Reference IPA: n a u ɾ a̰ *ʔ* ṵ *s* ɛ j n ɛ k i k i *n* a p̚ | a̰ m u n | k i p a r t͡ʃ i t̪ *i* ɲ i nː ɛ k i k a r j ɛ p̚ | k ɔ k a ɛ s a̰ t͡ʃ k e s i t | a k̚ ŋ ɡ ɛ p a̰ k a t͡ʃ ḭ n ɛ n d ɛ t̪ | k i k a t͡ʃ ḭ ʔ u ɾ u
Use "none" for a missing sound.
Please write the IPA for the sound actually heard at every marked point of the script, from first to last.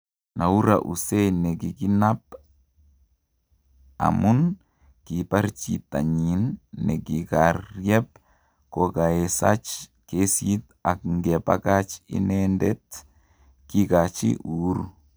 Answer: ʔ, s, n, a

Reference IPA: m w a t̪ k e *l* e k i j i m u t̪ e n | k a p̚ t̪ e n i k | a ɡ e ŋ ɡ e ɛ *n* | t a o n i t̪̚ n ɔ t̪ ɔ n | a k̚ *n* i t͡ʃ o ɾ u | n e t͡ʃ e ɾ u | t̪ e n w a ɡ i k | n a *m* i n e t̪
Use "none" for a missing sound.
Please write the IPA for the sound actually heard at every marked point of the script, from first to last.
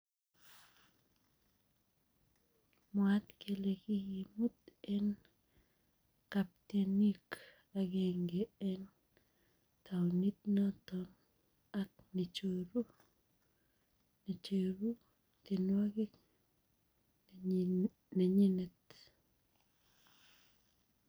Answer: l, n, n, ɲ

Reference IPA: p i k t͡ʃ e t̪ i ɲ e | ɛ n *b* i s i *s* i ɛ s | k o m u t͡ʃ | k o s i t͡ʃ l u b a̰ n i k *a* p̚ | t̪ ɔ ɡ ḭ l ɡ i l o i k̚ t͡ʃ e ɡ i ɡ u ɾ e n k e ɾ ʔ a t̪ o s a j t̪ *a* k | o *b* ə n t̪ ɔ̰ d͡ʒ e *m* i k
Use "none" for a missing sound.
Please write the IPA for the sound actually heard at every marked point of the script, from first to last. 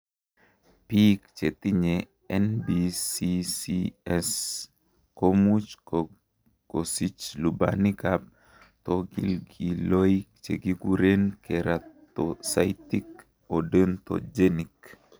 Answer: b, s, a, i, d, n

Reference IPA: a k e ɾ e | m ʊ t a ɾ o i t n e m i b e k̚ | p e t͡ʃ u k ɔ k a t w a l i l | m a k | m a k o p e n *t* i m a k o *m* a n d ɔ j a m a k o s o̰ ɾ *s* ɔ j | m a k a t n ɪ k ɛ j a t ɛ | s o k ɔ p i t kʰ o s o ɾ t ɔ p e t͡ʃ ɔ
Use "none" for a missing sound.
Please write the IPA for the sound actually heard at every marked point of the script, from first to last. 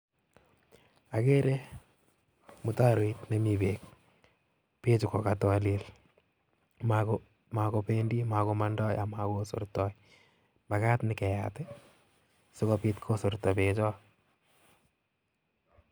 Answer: d, m, t

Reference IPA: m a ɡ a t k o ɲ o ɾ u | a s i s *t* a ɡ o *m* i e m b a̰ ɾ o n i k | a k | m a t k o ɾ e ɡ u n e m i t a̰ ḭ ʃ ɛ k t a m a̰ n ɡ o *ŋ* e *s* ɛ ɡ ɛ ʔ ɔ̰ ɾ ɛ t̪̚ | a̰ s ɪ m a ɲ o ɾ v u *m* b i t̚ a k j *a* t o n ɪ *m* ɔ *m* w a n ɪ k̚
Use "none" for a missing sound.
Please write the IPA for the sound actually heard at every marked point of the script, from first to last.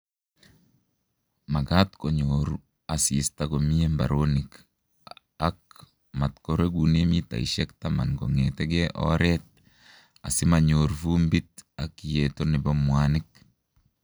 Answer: t, m, ŋ, t, m, e, b, m

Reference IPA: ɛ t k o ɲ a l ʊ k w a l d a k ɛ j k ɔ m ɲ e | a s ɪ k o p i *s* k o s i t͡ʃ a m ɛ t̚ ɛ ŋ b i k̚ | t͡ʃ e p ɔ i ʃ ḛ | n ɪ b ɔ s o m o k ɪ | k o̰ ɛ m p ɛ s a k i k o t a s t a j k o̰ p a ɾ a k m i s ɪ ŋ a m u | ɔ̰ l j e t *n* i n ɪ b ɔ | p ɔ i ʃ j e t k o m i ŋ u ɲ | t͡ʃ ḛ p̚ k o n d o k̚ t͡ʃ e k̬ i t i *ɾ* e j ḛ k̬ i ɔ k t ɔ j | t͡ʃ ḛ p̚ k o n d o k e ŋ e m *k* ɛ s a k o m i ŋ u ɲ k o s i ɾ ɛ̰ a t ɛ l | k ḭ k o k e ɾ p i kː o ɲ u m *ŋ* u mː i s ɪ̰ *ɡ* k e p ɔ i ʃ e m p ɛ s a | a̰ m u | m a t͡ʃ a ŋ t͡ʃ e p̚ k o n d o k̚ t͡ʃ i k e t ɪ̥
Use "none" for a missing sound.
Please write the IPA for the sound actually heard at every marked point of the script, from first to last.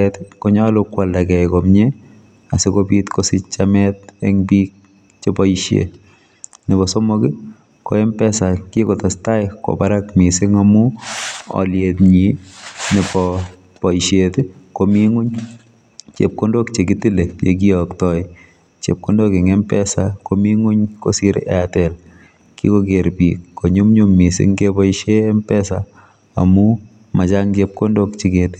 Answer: t, ɲ, l, p, ɲ, ŋ

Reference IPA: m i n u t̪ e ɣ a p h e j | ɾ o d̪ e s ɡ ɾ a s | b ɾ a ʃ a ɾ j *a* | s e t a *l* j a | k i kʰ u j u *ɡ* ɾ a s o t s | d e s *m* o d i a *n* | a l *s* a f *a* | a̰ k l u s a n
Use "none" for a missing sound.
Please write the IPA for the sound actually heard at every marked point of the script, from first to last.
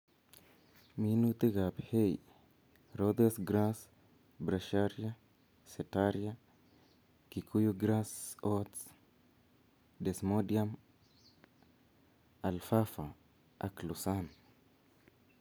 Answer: a, ɾ, ɡ, m, m, f, a

